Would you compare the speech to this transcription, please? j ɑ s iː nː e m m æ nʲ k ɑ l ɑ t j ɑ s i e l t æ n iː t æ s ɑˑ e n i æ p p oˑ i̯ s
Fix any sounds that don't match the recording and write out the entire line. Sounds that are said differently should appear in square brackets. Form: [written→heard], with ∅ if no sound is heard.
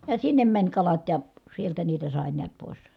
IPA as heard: j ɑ s [iː→i] nː e m m æ nʲ k ɑ l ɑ t j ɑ s i e l t æ n iː t æ s ɑˑ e n i æ [p→t] p oˑ i̯ s